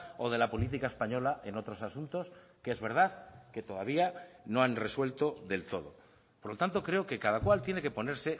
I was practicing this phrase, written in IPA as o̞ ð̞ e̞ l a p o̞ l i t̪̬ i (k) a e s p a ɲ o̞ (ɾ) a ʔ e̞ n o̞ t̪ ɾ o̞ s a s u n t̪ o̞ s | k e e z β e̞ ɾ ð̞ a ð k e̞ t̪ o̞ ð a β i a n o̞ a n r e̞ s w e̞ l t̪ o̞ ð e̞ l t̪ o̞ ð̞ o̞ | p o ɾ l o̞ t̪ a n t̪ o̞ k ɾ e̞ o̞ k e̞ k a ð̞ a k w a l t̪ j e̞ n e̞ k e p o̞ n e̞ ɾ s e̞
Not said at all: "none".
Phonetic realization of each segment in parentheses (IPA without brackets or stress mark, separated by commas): k, l